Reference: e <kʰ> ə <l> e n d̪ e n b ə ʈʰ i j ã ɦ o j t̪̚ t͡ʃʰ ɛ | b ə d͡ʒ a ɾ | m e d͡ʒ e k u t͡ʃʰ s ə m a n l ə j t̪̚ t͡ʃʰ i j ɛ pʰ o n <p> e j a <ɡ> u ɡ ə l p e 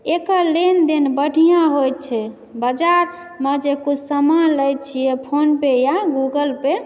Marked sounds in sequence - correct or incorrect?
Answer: incorrect, correct, correct, correct

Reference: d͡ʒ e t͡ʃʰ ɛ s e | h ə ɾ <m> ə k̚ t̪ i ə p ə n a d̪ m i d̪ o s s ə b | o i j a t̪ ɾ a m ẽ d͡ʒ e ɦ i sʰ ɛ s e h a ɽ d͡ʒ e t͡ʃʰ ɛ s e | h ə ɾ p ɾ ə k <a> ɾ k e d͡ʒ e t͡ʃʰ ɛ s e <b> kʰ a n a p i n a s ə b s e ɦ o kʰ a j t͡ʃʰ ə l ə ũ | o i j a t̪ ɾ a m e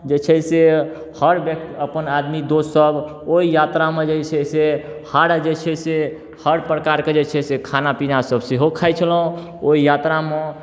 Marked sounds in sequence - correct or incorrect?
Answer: incorrect, correct, incorrect

